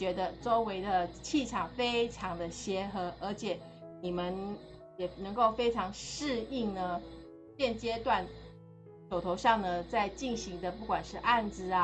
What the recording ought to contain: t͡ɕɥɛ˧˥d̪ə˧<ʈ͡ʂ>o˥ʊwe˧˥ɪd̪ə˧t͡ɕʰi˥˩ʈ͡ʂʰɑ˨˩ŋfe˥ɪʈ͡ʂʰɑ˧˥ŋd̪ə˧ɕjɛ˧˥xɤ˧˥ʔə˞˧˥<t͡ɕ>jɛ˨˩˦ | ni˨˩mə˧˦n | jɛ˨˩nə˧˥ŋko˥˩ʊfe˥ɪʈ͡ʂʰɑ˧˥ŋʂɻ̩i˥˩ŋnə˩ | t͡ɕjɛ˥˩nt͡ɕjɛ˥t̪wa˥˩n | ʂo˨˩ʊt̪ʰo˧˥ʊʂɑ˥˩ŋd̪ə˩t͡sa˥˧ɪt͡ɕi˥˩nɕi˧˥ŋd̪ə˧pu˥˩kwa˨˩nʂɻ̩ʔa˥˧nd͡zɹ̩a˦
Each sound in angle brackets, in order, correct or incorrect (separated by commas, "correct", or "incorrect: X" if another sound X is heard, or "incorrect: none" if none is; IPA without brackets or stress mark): correct, incorrect: t͡ɕʰ